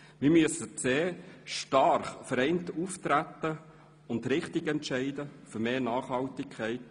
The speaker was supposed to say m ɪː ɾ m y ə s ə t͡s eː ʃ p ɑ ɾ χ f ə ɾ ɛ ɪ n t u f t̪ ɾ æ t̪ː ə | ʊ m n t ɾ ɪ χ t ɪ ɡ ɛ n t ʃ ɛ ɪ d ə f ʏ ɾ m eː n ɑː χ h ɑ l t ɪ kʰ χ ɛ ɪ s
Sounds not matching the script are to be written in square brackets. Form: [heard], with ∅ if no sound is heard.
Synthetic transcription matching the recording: m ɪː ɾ m y ə s ə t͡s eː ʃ [t] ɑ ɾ χ f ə ɾ ɛ ɪ n t u f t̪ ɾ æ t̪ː ə | ʊ [∅] n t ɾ ɪ χ t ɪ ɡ ɛ n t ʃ ɛ ɪ d ə f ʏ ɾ m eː n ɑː χ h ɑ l t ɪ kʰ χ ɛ ɪ [t]